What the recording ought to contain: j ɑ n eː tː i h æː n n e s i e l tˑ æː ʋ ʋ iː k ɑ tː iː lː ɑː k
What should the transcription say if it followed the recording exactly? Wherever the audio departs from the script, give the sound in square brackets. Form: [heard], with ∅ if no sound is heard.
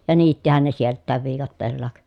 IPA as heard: j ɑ n [iː] tː i h [æ] n n e s i e l tˑ æː ʋ ʋ iː k ɑ tː [eː] lː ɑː k